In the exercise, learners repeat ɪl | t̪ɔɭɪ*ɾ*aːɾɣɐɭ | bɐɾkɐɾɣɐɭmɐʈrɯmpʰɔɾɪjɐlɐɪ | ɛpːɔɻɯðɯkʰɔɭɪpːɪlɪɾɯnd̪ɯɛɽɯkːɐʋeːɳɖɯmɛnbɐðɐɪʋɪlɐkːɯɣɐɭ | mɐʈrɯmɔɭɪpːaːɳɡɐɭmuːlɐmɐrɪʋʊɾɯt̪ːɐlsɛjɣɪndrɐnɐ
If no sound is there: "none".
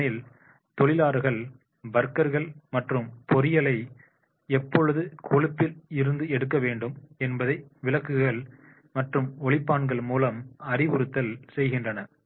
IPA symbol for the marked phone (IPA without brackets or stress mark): l